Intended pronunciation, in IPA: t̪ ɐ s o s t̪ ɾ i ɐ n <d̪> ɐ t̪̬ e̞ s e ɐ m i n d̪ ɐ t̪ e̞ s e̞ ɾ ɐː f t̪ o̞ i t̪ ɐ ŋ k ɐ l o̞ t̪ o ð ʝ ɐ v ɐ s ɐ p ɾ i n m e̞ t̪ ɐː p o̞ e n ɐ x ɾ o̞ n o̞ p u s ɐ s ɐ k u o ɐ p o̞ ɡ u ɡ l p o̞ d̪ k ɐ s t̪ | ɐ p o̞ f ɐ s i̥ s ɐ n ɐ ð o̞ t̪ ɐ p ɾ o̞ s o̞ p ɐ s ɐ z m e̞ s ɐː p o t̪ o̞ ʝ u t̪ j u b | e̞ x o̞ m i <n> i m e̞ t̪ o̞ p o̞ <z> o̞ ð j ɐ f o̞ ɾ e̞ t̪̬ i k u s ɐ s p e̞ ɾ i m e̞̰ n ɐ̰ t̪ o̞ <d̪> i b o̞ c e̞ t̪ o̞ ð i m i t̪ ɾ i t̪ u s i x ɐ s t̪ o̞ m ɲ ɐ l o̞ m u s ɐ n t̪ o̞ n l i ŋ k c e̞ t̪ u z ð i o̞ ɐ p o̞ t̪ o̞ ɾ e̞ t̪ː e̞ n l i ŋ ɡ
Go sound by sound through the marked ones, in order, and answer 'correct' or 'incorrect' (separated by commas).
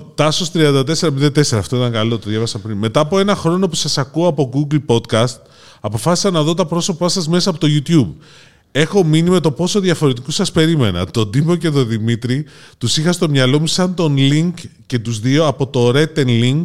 correct, correct, incorrect, correct